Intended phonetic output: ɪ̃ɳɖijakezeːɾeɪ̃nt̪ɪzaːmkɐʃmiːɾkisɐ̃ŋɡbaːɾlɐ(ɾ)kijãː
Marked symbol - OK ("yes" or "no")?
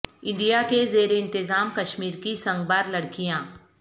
no